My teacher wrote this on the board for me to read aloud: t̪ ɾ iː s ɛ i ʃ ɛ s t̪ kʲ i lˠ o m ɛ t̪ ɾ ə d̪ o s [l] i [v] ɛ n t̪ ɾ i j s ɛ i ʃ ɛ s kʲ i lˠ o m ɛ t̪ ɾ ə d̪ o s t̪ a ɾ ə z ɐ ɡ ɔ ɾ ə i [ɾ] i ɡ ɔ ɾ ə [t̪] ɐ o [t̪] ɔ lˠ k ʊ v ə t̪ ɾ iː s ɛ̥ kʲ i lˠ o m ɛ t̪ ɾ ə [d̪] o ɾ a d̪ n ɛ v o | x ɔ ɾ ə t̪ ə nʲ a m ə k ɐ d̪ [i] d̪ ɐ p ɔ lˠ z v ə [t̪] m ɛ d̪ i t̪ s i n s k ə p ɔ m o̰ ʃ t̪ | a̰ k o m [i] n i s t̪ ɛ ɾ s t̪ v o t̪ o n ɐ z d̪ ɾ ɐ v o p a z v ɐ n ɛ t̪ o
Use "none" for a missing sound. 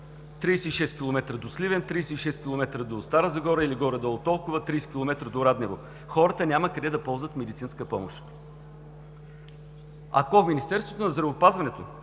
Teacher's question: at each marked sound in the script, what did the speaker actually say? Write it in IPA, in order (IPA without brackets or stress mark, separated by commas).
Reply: l, v, l, d̪, t̪, d̪, ɛ, t̪, i